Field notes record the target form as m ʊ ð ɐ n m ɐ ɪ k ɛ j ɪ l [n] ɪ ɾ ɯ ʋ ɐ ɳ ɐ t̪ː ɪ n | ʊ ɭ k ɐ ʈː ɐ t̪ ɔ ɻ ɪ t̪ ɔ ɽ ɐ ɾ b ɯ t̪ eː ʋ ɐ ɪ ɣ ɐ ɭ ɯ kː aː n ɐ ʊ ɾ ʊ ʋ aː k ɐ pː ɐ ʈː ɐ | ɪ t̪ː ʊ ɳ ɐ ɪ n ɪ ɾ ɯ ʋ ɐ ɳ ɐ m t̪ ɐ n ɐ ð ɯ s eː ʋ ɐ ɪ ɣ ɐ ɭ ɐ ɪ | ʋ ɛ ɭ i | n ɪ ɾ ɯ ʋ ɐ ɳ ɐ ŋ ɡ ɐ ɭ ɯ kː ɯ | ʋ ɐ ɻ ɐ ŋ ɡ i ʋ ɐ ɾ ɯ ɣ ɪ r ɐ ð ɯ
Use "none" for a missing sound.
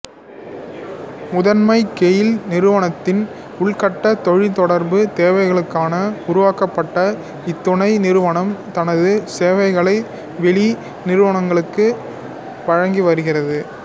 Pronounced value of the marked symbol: n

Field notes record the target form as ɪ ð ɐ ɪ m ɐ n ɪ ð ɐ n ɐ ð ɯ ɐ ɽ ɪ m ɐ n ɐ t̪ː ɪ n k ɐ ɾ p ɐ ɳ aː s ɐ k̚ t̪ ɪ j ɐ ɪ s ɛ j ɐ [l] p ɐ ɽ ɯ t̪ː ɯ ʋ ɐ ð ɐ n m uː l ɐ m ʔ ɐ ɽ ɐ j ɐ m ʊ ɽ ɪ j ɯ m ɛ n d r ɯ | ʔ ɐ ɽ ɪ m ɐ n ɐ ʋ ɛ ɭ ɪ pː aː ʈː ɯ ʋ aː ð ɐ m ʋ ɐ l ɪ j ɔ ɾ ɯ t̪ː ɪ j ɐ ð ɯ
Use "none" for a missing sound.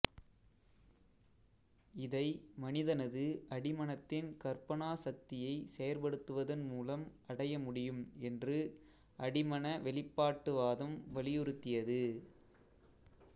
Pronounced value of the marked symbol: ɾ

